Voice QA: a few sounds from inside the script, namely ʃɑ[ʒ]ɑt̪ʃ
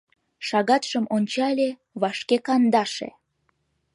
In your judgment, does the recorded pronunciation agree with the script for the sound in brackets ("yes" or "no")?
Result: no